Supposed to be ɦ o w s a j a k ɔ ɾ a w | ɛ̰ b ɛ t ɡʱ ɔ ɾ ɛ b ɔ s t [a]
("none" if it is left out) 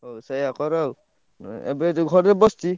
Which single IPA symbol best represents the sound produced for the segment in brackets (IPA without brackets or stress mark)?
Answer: i